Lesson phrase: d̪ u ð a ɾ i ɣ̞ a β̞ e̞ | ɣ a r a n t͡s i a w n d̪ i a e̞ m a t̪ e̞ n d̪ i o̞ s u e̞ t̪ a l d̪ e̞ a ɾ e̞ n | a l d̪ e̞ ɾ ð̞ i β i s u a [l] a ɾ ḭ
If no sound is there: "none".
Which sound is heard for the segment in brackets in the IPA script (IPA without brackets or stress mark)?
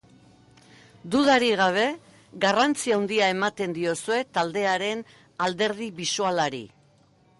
l